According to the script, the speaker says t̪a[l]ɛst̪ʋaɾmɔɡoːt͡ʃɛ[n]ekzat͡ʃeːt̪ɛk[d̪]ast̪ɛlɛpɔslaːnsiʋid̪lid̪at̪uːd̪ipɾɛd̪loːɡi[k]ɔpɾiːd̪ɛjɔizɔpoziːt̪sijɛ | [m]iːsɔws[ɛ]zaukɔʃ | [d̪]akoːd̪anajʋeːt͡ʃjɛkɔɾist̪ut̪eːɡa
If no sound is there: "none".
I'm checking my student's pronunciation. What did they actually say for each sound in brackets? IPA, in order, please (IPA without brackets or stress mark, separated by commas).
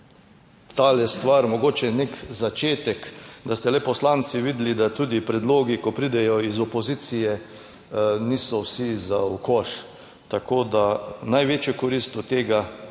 l, n, d̪, k, n, i, t̪